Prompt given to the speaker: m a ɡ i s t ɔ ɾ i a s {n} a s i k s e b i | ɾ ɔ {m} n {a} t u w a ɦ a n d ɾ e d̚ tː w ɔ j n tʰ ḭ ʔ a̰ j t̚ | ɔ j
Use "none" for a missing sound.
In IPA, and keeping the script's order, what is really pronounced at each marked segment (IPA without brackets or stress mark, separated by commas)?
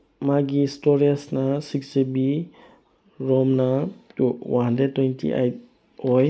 n, m, a